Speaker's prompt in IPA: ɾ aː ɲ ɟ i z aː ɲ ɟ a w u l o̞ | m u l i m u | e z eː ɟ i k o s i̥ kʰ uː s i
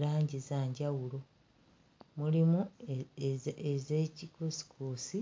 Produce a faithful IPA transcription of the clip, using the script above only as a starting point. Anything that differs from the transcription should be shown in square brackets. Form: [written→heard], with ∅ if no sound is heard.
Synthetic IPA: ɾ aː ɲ ɟ i z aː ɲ ɟ a w u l o̞ | m u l i m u | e z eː [ɟ→c] i k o s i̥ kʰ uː s i